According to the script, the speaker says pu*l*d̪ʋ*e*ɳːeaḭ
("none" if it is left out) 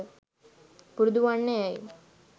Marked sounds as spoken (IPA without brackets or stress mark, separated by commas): ɾ, a